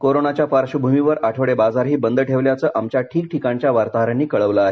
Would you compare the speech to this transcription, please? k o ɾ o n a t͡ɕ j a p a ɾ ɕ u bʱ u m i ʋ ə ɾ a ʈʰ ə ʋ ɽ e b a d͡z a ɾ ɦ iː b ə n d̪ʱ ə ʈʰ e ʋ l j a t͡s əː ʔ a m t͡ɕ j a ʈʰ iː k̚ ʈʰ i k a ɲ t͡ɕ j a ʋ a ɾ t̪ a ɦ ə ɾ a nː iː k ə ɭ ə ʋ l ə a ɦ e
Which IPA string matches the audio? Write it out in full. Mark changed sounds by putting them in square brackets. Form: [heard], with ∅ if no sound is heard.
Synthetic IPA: k o ɾ o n a t͡ɕ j a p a ɾ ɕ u bʱ u m i ʋ ə ɾ a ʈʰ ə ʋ ɽ e b a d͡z a ɾ ɦ iː b ə n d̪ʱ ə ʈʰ e ʋ l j a t͡s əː ʔ a m t͡ɕ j a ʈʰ iː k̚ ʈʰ i k a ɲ t͡ɕ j a ʋ a ɾ t̪ a ɦ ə ɾ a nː iː k ə ɭ ə ʋ l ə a ɦ e